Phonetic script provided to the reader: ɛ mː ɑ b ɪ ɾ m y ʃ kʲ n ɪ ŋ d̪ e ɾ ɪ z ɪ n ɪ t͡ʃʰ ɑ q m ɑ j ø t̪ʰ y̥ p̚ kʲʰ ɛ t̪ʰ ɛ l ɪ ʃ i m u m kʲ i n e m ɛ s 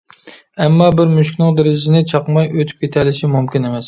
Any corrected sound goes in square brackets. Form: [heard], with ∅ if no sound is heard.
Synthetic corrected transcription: ɛ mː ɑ b ɪ ɾ m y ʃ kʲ n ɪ ŋ d̪ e ɾ ɪ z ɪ n ɪ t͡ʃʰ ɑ q m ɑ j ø t̪ʰ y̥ p̚ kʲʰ [e] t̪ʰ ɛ l ɪ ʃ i m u m kʲ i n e m ɛ s